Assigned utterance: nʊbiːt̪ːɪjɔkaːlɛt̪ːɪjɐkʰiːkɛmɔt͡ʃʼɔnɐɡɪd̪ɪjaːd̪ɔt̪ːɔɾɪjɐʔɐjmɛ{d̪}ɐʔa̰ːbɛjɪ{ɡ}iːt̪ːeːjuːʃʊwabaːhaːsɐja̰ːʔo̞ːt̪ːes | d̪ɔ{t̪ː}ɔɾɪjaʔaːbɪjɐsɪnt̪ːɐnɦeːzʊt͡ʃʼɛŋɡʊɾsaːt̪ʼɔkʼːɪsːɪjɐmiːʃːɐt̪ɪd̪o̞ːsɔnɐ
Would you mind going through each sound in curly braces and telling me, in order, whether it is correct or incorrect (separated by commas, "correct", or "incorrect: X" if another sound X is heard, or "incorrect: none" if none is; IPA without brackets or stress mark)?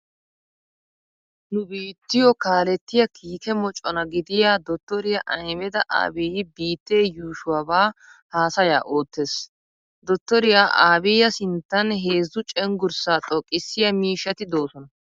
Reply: correct, incorrect: b, correct